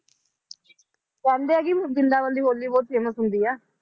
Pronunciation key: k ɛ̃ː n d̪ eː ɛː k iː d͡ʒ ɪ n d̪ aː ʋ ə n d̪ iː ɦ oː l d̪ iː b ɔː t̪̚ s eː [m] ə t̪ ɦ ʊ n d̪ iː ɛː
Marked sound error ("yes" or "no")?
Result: no